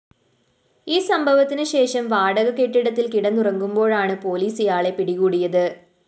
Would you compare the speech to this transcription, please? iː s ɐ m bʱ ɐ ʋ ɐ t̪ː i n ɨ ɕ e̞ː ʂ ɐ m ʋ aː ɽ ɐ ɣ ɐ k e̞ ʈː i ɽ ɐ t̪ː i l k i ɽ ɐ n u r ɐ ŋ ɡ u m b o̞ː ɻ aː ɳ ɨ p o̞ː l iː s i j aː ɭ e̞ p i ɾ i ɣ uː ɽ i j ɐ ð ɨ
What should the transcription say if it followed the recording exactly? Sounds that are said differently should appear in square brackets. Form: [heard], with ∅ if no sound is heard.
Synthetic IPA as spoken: iː s ɐ m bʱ ɐ ʋ ɐ t̪ː i n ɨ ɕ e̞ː ʂ ɐ m ʋ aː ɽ ɐ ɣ ɐ k e̞ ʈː i ɽ ɐ t̪ː i l k i ɽ ɐ n u r ɐ ŋ ɡ u m b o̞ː ɻ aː ɳ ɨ p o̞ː l iː s i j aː ɭ e̞ p i [ɽ] i ɣ uː ɽ i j ɐ ð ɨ